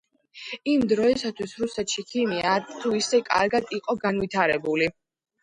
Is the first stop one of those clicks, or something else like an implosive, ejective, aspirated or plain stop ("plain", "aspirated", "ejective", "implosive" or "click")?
plain